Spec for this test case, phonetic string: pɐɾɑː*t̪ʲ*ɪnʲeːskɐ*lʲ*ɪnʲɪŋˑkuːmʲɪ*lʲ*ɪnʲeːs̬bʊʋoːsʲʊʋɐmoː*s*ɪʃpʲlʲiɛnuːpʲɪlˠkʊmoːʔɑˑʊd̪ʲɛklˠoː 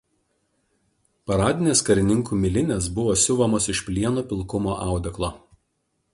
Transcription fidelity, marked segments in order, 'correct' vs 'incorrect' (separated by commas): incorrect, incorrect, correct, correct